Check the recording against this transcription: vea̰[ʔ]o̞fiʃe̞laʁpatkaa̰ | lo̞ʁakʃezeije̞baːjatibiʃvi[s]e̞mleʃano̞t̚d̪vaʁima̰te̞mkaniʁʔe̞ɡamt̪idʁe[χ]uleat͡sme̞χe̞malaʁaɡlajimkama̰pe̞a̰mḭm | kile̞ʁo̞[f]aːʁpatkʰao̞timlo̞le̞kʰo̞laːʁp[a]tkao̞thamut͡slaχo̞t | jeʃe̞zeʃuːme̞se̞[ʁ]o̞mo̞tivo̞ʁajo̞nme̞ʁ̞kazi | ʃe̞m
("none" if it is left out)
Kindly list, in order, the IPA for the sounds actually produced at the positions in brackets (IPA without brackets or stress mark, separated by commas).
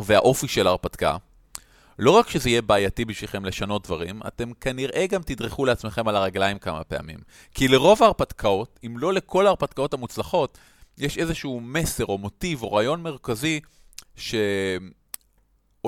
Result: ʔ, χ, χ, v, a, ʁ